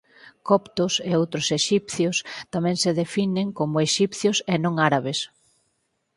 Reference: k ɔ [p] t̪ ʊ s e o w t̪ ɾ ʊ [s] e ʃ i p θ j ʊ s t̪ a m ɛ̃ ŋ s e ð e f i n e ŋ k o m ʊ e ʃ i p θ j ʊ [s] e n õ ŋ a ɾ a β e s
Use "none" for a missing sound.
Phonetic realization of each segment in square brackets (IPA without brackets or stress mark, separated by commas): p, s, s